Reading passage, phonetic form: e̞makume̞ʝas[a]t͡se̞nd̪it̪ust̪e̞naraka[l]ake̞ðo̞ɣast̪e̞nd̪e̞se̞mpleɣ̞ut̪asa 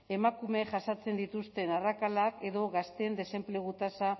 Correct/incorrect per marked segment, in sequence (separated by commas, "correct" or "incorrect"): correct, correct